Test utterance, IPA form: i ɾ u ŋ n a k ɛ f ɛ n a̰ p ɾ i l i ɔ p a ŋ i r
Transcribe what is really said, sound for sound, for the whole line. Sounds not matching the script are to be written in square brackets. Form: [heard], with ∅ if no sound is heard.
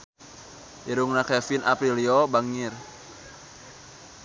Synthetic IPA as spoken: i ɾ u ŋ n a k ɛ f [i] n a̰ p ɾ i l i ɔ [b] a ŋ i r

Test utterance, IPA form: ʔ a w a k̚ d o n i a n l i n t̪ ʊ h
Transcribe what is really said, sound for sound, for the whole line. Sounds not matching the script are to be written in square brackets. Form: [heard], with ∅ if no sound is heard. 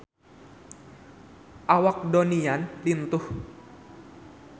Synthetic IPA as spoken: ʔ a w a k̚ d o n i a n l i n t̪ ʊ h

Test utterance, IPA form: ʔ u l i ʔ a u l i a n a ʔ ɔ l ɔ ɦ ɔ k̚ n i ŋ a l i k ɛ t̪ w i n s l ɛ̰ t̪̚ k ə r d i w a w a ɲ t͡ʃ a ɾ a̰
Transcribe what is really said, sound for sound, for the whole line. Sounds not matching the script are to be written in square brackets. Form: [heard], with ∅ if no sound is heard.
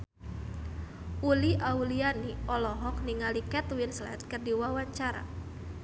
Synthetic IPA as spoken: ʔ u l i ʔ a u l i a n [i] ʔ ɔ l ɔ ɦ ɔ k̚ n i ŋ a l i k ɛ t̪ w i n s l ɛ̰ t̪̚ k ə r d i w a w a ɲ t͡ʃ a ɾ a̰

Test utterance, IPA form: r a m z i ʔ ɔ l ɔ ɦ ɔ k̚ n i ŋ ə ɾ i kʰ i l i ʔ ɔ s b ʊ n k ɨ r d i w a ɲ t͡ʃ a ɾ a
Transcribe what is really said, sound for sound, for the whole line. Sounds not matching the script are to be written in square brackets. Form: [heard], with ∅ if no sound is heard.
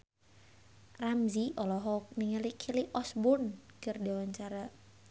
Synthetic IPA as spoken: r a m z i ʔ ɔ l ɔ ɦ ɔ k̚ n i ŋ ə [l] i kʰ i l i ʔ ɔ s b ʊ n k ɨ r d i w a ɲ t͡ʃ a ɾ a

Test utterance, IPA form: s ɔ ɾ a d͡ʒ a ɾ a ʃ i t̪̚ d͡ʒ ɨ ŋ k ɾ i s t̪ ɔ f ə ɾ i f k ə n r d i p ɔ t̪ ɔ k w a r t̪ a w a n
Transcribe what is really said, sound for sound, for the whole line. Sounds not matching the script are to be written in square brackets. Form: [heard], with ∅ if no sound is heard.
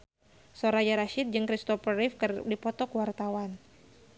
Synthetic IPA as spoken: s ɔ ɾ a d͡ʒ a ɾ a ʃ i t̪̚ d͡ʒ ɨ ŋ k ɾ i s t̪ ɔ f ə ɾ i f k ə [∅] r d i p ɔ t̪ ɔ k w a r t̪ a w a n

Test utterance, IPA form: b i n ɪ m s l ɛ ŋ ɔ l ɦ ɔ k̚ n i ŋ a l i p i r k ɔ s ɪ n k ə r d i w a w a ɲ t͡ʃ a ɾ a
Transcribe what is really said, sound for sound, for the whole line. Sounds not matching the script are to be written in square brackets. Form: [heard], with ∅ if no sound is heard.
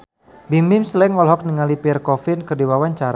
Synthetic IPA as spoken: b i [m] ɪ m s l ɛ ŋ ɔ l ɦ ɔ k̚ n i ŋ a l i p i r k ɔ [f] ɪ n k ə r d i w a w a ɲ t͡ʃ a ɾ a

